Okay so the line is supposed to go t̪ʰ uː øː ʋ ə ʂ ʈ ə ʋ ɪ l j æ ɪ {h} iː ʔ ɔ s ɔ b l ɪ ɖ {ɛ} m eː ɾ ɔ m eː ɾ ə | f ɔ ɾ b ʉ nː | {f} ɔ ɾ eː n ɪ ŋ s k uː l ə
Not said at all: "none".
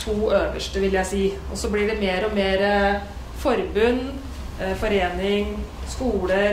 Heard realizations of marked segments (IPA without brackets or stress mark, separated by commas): s, ɛ, f